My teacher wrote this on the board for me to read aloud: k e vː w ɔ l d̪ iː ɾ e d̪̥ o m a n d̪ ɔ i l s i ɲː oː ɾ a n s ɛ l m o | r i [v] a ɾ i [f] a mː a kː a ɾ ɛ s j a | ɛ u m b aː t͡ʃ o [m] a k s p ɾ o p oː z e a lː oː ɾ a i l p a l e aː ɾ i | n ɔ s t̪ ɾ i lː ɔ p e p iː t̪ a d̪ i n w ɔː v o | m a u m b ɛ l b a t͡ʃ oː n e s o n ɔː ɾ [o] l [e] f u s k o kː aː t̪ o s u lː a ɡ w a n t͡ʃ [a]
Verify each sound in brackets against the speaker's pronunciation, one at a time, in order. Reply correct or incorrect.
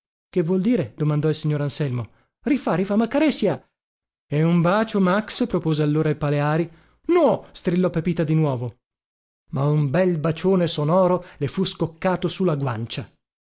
incorrect: f, correct, correct, correct, correct, correct

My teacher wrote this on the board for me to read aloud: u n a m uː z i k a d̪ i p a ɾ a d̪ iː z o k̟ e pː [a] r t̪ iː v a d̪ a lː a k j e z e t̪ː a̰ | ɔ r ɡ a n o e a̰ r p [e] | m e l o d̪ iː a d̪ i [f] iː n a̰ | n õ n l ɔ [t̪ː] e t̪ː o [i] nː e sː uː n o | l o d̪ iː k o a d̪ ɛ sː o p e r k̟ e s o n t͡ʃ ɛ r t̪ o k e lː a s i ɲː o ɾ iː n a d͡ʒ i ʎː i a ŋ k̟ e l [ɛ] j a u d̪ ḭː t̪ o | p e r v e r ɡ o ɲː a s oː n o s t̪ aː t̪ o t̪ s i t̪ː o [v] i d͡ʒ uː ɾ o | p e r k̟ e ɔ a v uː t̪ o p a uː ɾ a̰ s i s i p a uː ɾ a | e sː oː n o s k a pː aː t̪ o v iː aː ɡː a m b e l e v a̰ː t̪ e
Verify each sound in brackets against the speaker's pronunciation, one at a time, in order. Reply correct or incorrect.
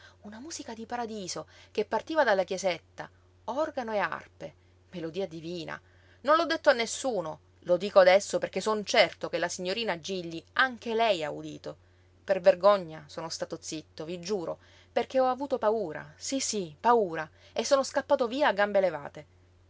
correct, correct, incorrect: v, incorrect: d̪ː, incorrect: a, correct, correct

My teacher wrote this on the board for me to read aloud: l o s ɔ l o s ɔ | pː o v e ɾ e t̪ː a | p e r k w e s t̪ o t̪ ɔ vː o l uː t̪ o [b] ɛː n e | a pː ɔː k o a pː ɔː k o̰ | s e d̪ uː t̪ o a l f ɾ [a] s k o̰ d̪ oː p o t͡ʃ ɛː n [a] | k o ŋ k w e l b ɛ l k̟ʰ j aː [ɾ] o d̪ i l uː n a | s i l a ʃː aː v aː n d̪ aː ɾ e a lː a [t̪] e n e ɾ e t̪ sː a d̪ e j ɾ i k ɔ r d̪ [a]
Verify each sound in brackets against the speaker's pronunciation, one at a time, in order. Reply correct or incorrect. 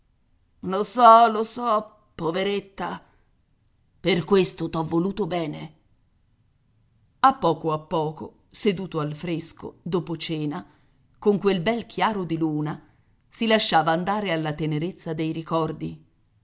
correct, incorrect: e, correct, correct, correct, incorrect: i

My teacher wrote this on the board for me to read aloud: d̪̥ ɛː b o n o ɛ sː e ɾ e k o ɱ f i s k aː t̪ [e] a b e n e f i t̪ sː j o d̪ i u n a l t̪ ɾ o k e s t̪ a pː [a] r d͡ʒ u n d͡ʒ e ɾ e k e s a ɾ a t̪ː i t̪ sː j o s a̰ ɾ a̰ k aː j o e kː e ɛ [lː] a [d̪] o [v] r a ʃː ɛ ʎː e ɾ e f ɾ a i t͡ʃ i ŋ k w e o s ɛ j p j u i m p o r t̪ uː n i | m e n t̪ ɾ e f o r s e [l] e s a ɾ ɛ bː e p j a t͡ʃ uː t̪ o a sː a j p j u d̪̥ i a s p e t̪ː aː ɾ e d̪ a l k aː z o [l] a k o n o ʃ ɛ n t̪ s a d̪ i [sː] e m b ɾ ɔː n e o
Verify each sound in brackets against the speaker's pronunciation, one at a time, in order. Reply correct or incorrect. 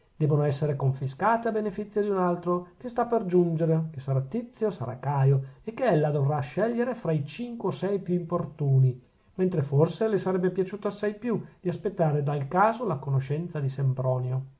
correct, incorrect: e, correct, correct, correct, correct, correct, incorrect: s

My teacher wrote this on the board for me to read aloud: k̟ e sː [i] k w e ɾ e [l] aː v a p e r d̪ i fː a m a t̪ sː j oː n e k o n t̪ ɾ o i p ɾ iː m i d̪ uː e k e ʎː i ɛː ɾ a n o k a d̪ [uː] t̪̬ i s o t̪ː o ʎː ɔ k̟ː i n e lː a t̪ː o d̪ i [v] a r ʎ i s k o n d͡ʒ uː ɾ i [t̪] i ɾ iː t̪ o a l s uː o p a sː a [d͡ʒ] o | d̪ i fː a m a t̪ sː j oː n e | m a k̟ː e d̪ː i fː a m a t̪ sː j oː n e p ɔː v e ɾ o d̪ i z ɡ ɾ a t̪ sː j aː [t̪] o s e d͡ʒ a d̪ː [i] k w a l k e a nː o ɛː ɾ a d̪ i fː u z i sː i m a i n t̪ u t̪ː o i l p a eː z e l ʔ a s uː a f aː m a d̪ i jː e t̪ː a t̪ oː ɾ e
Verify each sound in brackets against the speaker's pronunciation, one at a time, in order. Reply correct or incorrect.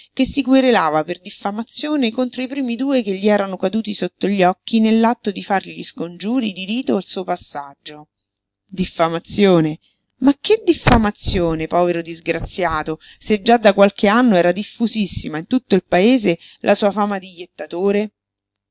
correct, correct, correct, incorrect: f, incorrect: d̪, incorrect: d͡ʒː, correct, incorrect: a

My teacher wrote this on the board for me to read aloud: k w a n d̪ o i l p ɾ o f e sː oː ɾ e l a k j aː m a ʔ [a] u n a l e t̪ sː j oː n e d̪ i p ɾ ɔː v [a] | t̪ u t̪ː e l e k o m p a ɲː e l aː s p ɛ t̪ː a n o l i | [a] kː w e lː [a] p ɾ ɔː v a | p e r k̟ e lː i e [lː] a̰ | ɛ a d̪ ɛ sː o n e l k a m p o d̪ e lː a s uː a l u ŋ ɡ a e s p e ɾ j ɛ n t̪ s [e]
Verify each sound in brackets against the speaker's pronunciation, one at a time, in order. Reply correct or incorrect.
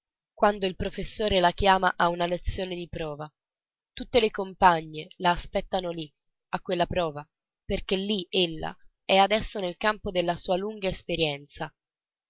correct, correct, correct, correct, correct, incorrect: a

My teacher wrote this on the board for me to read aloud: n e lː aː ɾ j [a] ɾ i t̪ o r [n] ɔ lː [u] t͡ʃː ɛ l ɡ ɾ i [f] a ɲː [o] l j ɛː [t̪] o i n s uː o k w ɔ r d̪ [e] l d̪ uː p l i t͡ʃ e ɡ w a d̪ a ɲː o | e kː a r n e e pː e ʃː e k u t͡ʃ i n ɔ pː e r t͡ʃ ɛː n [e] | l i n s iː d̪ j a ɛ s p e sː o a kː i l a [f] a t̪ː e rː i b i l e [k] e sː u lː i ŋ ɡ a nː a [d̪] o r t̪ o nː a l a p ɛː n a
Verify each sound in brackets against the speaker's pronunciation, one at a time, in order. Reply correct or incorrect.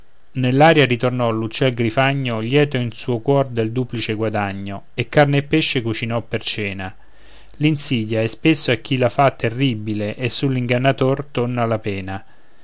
correct, correct, correct, correct, correct, correct, correct, incorrect: a, correct, incorrect: ʔ, incorrect: t̪

